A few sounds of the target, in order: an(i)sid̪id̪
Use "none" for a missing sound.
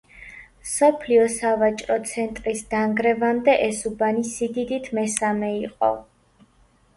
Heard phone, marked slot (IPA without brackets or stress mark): i